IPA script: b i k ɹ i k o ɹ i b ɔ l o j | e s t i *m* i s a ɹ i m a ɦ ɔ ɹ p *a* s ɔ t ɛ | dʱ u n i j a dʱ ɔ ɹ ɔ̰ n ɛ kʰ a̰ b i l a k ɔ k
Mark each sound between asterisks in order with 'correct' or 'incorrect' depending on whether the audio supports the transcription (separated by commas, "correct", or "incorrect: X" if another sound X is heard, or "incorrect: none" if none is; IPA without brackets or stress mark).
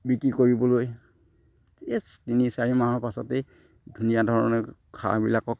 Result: incorrect: n, correct